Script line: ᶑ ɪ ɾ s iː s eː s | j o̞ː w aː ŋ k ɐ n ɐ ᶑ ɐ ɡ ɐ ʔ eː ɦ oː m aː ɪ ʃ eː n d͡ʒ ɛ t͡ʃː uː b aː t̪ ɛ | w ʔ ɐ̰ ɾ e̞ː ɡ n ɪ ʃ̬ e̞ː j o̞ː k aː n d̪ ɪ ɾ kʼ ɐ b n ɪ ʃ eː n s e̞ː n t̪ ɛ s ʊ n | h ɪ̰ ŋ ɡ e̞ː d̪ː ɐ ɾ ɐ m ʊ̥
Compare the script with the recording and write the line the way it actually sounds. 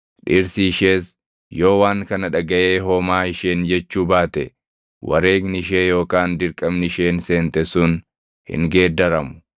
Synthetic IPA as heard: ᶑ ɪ ɾ s iː ʃ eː s | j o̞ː w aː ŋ k ɐ n ɐ ᶑ ɐ ɡ ɐ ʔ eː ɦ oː m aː ɪ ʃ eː n d͡ʒ ɛ t͡ʃː uː b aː t̪ ɛ | w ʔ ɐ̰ ɾ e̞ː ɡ n ɪ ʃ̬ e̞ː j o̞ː k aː n d̪ ɪ ɾ kʼ ɐ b n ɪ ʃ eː n s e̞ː n t̪ ɛ s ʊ n | h ɪ̰ ŋ ɡ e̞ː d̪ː ɐ ɾ ɐ m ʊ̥